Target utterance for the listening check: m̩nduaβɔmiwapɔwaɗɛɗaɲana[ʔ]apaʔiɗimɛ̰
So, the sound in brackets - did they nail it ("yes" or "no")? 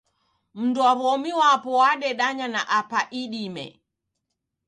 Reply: yes